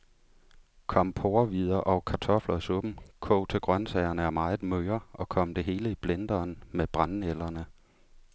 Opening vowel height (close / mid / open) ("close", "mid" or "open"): open